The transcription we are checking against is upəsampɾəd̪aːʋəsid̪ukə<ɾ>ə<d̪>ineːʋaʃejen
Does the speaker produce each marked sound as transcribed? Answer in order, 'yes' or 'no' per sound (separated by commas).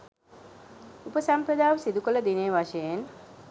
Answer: no, yes